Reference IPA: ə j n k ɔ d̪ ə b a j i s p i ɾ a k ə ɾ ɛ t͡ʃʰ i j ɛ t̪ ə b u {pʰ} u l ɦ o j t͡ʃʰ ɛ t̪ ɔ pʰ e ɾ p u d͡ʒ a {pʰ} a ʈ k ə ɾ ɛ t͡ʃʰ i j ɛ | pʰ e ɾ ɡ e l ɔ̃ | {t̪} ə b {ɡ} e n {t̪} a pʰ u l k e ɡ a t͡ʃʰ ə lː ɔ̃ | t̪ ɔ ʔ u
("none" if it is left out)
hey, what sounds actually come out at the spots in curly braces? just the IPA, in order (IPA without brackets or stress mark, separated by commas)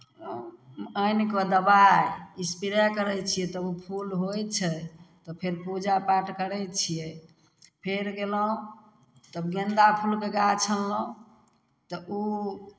pʰ, p, t̪, ɡ, d̪